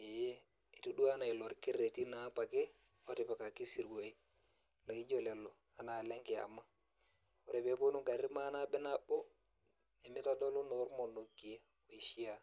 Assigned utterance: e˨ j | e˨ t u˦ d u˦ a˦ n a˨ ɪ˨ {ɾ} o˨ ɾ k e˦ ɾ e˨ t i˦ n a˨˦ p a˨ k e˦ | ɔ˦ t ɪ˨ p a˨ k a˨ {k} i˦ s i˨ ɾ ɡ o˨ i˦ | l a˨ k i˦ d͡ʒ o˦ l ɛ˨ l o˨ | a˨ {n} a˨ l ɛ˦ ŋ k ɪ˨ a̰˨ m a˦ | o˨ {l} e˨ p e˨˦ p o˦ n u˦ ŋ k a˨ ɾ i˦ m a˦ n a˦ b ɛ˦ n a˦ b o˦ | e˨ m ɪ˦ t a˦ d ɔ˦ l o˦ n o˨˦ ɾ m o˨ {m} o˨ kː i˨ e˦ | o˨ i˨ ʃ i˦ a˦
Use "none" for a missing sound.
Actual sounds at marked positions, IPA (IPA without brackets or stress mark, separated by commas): l, k, n, ɾ, n